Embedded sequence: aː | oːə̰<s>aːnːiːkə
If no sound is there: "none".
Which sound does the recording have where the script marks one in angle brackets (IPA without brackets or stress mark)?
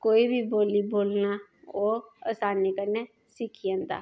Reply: s